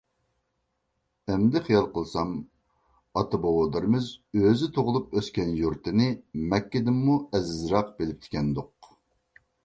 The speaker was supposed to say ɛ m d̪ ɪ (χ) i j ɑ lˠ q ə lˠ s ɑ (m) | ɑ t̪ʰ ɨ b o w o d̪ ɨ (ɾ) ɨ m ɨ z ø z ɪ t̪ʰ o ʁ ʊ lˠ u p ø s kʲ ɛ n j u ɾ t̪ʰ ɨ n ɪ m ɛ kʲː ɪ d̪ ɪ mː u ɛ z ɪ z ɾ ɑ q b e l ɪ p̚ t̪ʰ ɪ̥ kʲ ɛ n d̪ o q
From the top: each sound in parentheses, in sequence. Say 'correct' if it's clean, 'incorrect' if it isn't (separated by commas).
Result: correct, correct, correct